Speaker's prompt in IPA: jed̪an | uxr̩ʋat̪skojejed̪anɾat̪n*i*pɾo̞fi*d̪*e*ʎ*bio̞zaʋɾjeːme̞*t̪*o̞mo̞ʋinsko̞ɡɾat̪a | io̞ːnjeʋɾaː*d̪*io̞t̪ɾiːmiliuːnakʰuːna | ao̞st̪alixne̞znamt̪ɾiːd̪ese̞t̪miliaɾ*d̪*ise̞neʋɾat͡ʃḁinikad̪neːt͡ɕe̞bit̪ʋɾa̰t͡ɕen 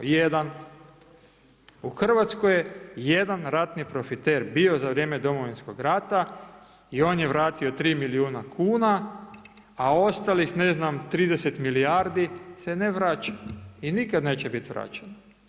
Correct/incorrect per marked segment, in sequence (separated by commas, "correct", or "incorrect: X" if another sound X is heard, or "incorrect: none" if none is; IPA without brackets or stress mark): correct, incorrect: t̪, incorrect: ɾ, incorrect: d̪, incorrect: t̪, correct